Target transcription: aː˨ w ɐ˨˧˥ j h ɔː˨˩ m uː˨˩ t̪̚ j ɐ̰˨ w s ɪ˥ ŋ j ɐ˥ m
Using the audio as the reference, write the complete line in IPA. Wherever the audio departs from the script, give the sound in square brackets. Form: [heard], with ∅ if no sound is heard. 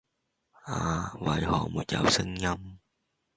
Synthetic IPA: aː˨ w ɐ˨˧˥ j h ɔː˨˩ m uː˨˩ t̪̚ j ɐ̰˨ w s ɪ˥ ŋ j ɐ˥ m